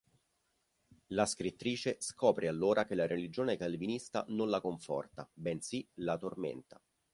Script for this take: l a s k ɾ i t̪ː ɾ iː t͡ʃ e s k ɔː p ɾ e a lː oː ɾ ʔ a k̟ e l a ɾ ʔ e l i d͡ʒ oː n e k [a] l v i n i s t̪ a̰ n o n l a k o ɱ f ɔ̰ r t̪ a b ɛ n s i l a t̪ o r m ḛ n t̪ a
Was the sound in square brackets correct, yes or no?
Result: yes